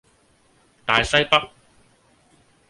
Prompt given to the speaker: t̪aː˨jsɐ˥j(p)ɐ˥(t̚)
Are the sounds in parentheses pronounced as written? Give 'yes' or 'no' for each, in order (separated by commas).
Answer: yes, no